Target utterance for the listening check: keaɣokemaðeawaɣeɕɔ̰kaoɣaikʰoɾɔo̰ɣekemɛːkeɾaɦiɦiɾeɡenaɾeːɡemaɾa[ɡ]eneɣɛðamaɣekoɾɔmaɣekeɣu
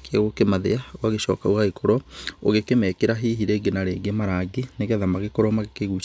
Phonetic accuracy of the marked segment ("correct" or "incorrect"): correct